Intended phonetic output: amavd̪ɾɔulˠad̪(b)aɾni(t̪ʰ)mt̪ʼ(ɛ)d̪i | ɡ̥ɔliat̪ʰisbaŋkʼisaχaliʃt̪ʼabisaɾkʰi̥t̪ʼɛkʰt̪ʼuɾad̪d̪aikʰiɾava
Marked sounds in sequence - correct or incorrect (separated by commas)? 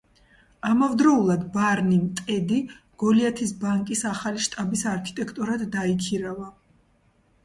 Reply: correct, incorrect, correct